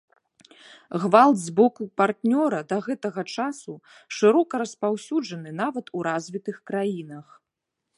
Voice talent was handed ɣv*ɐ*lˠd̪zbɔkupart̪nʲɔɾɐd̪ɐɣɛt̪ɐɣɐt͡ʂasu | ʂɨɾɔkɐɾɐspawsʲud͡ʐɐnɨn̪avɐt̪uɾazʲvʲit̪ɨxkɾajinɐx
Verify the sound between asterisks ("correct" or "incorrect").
incorrect